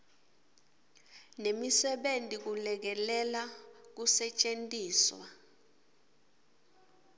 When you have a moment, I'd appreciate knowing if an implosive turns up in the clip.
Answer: yes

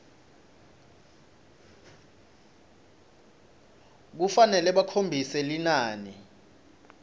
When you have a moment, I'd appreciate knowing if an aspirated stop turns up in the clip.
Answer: yes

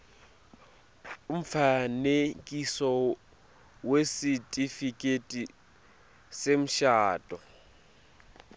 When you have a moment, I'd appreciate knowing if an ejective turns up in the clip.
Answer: yes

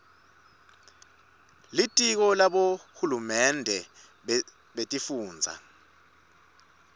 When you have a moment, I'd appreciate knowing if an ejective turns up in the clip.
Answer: yes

